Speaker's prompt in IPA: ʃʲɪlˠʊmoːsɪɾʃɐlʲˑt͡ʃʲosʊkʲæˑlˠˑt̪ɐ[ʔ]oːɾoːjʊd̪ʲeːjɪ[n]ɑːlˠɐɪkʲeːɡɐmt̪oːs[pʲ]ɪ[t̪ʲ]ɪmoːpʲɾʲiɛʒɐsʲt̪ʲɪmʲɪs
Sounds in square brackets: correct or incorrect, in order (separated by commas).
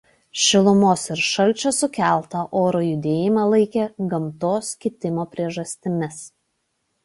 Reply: correct, incorrect, incorrect, correct